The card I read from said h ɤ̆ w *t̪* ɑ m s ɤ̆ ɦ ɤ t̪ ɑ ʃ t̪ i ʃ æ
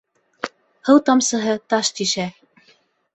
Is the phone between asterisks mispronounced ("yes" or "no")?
no